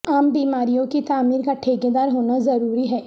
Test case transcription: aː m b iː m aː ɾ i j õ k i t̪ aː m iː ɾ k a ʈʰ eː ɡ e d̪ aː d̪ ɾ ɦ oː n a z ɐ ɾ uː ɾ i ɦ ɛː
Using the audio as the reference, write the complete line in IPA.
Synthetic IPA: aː m b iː m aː ɾ i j õ k i t̪ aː m iː ɾ k a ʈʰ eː ɡ e d̪ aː ɾ ɦ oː n a z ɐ ɾ uː ɾ i ɦ ɛː

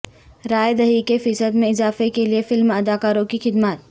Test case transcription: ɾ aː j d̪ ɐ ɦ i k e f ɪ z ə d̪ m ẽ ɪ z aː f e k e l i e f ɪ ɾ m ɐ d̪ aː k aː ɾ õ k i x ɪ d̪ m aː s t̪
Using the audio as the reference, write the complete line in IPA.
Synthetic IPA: ɾ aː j d̪ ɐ ɦ i k e f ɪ s ə d̪ m ẽ ɪ z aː f e k e l i e f ɪ l m ɐ d̪ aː k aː ɾ õ k i x ɪ d̪ m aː t̪

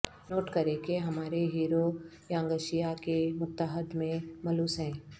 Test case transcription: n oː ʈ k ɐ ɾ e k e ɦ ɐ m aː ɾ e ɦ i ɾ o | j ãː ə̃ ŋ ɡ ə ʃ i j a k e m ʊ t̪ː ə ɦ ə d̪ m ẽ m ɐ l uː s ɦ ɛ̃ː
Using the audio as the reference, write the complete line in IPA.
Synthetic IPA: n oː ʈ k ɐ ɾ e k e ɦ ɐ m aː ɾ e ɦ iː ɾ o | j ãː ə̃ ŋ ɡ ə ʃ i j a k e m ʊ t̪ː ə ɦ ə d̪ m ẽ m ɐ l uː s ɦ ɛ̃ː

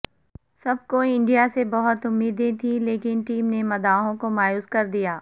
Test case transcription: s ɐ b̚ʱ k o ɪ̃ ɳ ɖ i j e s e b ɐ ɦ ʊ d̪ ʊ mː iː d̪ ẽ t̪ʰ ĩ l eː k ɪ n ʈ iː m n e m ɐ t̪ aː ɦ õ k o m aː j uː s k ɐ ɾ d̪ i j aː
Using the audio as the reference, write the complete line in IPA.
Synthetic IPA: s ɐ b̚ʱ k o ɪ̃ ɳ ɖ i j a s e b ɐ ɦ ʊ t̪ ʊ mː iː d̪ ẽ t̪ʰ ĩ l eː k ɪ n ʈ iː m n e m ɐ d̪ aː ɦ õ k o m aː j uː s k ɐ ɾ d̪ i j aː

